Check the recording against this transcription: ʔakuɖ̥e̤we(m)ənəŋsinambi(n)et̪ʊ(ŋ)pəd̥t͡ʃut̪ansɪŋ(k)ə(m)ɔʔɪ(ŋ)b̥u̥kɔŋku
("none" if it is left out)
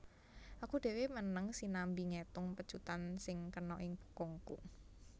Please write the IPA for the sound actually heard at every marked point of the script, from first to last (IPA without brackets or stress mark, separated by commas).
m, ŋ, ŋ, k, n, ŋ